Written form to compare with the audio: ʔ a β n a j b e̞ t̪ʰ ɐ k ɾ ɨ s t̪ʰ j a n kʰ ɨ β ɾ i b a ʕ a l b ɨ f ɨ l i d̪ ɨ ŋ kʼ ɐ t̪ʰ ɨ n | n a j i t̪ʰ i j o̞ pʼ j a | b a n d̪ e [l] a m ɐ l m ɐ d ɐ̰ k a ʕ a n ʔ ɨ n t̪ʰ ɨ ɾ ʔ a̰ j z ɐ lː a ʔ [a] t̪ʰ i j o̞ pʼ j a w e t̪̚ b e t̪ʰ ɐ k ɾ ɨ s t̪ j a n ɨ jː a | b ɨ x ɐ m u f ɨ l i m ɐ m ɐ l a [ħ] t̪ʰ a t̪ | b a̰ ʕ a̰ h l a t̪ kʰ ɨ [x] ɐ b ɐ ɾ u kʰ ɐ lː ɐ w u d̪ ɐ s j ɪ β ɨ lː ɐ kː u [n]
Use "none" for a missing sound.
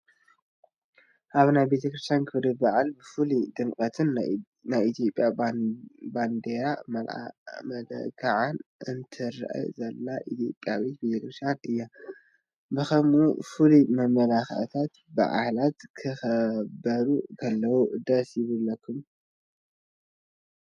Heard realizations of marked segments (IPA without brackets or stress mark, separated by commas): ɾ, i, x, x, m